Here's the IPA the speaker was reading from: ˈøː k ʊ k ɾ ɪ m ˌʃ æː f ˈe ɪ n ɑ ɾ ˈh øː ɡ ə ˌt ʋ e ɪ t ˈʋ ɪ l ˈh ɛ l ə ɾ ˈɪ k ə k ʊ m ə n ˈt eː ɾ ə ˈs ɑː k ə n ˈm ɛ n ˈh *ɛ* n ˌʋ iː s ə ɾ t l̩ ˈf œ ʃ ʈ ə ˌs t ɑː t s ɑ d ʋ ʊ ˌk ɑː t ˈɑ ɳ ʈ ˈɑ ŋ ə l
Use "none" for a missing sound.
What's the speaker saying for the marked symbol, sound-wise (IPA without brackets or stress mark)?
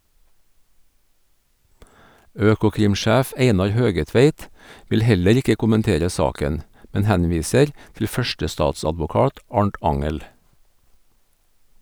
æ